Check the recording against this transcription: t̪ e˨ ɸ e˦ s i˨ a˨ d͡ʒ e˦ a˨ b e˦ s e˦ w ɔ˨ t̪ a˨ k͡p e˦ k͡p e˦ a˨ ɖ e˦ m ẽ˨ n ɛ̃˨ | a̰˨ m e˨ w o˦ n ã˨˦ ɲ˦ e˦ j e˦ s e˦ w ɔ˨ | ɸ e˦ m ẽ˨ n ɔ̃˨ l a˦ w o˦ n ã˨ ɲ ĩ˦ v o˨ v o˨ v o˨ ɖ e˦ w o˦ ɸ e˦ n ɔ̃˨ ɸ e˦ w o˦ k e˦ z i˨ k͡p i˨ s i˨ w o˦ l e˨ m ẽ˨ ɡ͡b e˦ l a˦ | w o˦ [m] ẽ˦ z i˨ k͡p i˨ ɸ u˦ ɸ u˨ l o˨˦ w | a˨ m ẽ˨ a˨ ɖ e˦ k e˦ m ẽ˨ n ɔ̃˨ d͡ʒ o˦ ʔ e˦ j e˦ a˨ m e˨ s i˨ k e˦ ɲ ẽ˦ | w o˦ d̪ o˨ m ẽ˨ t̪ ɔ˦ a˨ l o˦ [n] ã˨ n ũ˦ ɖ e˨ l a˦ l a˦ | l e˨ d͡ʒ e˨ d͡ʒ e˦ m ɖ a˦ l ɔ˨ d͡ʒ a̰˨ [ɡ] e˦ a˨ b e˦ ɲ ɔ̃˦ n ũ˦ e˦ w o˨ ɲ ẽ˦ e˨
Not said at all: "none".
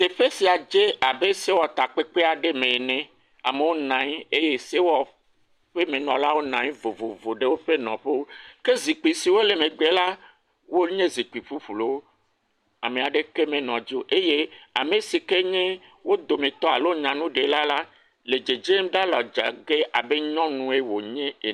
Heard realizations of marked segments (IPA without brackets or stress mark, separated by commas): ɲ, ɲ, ɡ